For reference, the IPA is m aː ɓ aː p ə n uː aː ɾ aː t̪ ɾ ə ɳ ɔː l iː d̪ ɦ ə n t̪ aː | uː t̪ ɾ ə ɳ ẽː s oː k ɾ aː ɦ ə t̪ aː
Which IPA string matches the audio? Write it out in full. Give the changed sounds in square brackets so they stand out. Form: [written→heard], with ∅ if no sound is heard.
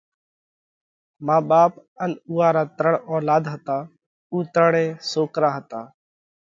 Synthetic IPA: m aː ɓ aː p ə n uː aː ɾ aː t̪ ɾ ə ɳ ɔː l [iː→aː] d̪ ɦ ə [n→∅] t̪ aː | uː t̪ ɾ ə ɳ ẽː s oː k ɾ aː ɦ ə t̪ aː